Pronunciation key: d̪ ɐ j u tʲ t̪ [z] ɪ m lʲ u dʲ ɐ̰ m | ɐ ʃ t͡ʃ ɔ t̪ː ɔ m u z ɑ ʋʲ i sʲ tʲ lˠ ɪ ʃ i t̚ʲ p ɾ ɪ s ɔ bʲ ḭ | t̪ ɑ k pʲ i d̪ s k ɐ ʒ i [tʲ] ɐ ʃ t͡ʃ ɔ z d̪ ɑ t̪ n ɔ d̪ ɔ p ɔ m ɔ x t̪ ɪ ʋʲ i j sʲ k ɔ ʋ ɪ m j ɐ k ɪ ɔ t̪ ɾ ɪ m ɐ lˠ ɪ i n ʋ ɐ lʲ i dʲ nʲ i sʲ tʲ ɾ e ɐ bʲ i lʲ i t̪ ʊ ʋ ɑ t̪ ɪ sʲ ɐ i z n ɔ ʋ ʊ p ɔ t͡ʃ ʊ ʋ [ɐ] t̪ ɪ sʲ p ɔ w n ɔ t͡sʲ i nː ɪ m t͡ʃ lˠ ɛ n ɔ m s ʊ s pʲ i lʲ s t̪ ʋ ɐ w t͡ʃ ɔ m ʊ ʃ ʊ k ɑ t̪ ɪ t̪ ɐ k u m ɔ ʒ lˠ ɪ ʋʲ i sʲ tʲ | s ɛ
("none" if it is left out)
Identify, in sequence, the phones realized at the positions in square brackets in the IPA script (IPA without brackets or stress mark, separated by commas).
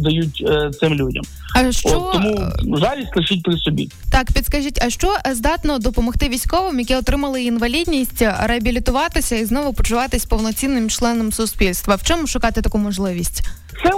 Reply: s, tʲ, ɑ